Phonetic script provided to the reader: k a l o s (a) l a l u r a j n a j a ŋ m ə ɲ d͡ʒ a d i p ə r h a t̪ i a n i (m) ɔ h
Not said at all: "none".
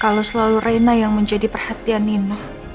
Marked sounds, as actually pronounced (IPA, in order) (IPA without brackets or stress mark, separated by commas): ə, n